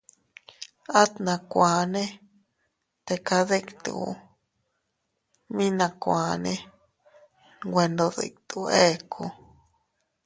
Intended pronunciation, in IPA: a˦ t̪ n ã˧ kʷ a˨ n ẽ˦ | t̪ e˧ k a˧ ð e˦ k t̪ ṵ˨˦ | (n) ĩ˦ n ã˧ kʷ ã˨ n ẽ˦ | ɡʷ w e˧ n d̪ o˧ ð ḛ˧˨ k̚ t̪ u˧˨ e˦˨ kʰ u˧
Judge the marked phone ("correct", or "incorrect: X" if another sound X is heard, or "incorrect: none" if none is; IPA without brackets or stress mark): incorrect: m